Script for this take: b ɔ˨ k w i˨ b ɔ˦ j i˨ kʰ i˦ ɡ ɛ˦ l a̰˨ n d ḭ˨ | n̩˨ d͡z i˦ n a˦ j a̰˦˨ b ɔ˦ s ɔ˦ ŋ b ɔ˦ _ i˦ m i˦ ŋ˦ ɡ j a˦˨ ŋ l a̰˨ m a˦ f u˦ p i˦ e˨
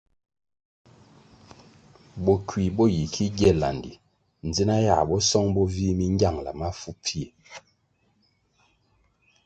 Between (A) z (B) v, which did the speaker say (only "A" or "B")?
B